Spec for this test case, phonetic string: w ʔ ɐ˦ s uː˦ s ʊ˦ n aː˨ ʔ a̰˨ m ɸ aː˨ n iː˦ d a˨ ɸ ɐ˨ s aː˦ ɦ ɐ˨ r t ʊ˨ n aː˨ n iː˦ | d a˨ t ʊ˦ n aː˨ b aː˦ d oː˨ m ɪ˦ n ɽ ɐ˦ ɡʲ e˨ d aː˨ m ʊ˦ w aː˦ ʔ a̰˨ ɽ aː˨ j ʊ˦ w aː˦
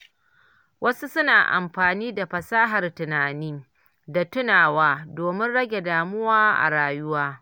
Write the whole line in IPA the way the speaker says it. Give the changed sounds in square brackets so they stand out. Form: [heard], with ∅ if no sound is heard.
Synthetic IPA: w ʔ ɐ˦ s [u˦] s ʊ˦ n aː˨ ʔ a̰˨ m ɸ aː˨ n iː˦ d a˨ ɸ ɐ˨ s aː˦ ɦ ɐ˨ r t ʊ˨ n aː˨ n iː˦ | d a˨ t ʊ˦ n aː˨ [w] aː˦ d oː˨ m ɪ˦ n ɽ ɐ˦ ɡʲ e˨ d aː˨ m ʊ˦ w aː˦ ʔ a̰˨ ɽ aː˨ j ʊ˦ w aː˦

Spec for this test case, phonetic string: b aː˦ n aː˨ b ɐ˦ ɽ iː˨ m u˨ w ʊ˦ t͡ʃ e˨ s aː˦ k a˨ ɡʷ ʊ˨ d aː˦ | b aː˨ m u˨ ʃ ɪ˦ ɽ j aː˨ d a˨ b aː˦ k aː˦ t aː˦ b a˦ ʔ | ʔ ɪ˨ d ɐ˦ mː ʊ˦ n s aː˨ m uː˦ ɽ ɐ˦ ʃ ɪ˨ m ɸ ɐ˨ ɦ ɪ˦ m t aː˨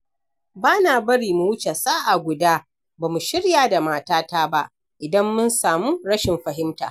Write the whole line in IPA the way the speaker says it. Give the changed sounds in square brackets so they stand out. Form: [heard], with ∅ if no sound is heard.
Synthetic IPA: b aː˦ n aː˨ b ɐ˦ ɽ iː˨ m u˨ w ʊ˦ t͡ʃ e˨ s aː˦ [ʔ] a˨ ɡʷ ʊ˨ d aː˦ | b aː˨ m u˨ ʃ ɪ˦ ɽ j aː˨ d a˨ [m] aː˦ [t] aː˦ t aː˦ b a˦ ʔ | ʔ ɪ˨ d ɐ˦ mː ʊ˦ n s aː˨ m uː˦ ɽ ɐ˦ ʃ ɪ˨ m ɸ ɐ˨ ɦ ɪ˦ m t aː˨

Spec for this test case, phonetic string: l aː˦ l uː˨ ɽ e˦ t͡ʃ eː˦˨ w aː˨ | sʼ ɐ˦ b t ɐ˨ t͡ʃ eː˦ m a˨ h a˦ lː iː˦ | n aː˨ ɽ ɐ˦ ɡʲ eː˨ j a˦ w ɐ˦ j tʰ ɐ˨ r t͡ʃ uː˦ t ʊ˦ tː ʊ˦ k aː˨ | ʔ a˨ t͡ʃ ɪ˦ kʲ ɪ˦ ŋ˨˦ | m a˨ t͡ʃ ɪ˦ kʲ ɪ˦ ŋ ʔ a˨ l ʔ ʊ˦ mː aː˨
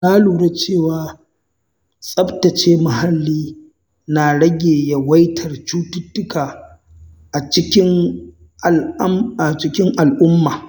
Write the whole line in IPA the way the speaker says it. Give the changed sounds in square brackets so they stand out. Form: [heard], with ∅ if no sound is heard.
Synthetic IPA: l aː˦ l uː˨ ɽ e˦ t͡ʃ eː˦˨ w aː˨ | sʼ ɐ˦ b t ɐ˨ t͡ʃ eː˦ m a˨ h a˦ lː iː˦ | n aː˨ ɽ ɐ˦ ɡʲ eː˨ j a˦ w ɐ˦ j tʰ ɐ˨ r t͡ʃ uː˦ t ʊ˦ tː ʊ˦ k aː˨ | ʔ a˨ t͡ʃ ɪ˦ kʲ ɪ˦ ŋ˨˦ | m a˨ t͡ʃ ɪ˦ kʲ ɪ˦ ŋ ʔ a˨ l ʔ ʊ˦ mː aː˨

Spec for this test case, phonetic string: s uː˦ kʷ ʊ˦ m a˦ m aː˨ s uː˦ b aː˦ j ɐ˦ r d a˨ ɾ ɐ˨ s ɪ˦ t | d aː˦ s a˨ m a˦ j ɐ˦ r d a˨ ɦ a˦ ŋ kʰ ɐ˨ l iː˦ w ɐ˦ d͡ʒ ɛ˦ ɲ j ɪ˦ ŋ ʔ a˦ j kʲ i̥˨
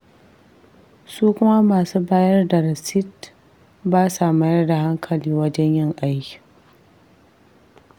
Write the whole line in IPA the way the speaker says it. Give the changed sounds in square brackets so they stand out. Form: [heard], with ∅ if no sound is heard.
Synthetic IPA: s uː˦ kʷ ʊ˦ m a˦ m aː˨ s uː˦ b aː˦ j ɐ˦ r d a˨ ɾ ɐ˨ s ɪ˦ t | [b] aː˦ s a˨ m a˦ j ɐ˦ r d a˨ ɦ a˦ ŋ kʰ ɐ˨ l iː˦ w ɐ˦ d͡ʒ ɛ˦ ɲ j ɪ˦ ŋ ʔ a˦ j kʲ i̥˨

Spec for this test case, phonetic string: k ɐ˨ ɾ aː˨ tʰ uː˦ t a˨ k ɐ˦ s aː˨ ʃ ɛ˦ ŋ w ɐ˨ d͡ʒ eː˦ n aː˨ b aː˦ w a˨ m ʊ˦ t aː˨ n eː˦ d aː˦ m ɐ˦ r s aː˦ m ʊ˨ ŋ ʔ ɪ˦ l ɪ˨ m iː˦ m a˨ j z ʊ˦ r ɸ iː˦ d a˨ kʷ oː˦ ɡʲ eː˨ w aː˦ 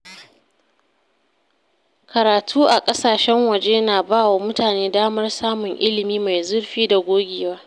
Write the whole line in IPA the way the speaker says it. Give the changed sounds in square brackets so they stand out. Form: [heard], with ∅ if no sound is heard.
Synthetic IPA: k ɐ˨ ɾ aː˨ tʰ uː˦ [ʔ] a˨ [kʼ] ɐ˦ s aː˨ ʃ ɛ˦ ŋ w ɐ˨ d͡ʒ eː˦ n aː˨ b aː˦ w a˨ m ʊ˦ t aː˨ n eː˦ d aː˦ m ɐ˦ r s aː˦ m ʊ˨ ŋ ʔ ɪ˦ l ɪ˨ m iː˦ m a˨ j z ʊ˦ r ɸ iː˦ d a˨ [ɡʷ] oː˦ ɡʲ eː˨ w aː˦

